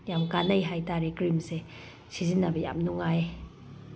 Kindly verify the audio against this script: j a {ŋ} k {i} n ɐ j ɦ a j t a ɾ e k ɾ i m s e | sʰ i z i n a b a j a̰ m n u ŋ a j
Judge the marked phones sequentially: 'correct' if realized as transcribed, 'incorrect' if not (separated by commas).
incorrect, incorrect